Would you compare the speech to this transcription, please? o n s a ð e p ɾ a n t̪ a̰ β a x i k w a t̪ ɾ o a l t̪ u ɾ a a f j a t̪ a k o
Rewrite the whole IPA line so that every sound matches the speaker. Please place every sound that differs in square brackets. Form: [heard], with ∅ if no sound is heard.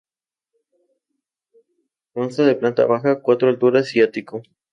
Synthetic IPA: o n s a ð e p [l] a n t̪ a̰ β a x [a] k w a t̪ ɾ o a l t̪ u ɾ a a [s] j a t̪ [i] k o